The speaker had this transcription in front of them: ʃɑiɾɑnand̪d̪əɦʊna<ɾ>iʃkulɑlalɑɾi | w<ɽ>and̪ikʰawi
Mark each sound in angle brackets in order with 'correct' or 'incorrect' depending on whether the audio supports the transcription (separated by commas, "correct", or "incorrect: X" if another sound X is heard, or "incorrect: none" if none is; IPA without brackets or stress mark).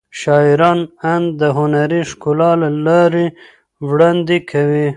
correct, correct